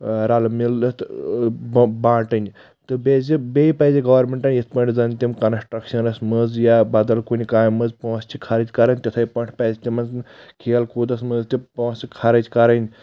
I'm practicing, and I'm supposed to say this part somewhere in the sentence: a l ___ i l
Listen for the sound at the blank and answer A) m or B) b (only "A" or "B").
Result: A